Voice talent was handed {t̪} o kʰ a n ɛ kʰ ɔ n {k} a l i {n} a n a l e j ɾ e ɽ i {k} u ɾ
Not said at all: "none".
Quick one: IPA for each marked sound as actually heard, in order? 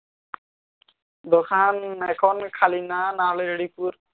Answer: d̪, kʰ, n, p

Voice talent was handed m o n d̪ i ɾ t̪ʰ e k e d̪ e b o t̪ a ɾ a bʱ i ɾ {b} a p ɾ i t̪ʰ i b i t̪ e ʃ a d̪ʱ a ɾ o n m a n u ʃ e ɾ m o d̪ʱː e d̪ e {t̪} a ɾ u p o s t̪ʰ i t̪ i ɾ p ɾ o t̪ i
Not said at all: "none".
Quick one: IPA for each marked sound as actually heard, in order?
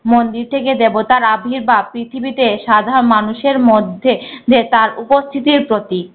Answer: b, t̪

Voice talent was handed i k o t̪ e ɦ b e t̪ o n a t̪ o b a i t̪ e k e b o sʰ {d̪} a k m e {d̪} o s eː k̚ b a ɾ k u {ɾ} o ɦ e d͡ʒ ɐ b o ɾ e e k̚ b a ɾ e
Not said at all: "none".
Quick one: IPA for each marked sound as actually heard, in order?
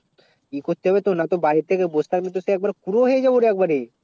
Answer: t̪, t̪, ɾ

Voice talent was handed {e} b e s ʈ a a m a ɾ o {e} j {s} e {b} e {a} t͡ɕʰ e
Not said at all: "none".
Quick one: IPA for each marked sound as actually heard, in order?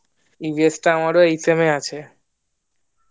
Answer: i, e, s, m, a

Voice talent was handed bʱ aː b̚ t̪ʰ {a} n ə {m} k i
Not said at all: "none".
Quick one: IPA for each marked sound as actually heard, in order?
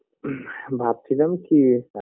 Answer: i, m

